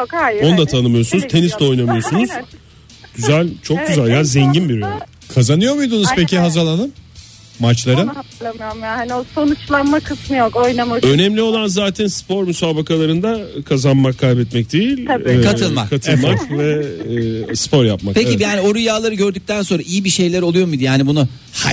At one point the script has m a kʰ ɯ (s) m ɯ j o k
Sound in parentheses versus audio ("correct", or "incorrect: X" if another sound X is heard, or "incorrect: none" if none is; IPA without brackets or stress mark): correct